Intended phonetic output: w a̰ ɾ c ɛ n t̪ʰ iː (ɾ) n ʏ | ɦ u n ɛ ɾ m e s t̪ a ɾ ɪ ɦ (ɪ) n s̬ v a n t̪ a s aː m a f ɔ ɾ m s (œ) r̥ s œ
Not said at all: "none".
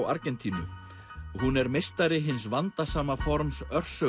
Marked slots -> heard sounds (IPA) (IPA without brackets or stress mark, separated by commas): none, ɪ, œ